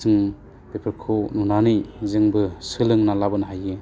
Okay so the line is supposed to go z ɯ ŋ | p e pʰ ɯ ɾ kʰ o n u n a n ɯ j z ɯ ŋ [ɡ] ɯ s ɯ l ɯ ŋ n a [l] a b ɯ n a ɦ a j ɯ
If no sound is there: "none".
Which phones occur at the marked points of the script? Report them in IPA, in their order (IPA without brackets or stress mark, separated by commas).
b, l